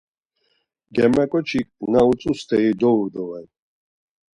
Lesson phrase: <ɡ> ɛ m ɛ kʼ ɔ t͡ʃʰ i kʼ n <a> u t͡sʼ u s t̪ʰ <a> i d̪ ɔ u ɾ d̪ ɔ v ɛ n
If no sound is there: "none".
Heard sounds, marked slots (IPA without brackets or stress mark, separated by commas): ɡ, a, ɛ